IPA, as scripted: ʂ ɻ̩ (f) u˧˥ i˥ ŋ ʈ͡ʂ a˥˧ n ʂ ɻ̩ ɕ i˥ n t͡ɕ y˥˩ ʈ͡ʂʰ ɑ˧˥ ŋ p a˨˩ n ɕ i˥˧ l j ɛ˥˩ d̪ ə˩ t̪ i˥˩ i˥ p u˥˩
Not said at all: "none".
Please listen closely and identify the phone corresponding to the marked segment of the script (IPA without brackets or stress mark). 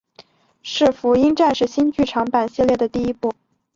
f